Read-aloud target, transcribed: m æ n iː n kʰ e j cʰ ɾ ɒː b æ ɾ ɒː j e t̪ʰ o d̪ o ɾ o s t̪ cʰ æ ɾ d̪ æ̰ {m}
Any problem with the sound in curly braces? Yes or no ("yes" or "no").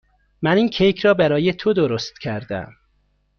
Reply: no